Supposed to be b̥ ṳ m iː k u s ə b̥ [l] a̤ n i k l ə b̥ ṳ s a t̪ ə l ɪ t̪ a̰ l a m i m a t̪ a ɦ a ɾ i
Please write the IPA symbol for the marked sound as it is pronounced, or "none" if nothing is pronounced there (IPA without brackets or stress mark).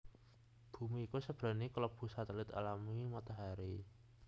ɾ